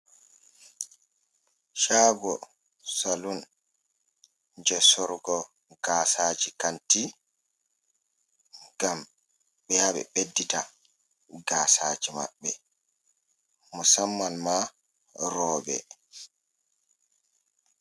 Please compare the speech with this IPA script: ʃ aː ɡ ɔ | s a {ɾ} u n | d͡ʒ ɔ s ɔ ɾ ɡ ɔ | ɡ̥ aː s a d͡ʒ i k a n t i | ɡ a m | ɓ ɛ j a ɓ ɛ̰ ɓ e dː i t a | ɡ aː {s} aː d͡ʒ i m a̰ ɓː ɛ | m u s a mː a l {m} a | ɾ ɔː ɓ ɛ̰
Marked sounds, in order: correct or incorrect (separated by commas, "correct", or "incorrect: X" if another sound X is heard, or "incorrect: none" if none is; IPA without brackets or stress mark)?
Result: incorrect: l, correct, correct